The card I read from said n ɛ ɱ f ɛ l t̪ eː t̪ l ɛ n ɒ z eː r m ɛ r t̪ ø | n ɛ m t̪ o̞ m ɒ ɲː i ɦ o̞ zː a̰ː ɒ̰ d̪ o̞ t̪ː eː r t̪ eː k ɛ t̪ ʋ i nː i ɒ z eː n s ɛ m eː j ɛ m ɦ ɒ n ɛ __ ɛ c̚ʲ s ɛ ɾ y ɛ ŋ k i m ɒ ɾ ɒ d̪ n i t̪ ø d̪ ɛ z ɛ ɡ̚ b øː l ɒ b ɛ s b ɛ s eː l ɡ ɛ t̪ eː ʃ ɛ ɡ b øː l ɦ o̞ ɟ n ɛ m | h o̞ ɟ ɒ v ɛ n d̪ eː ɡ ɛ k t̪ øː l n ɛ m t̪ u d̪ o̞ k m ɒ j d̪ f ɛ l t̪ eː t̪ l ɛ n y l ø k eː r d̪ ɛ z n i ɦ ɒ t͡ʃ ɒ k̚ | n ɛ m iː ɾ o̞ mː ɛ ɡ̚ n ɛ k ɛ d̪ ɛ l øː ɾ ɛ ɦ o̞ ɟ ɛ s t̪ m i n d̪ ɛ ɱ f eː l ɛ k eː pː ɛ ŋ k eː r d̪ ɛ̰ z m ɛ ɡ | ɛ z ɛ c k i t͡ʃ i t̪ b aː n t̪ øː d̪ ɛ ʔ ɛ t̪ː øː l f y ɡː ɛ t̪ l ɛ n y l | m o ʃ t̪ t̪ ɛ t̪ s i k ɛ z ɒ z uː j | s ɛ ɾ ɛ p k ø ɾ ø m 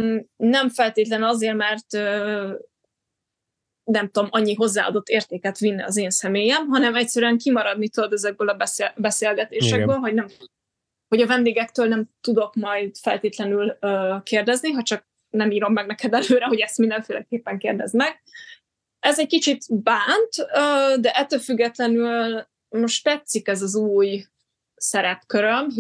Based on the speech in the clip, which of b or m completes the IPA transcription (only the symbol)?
m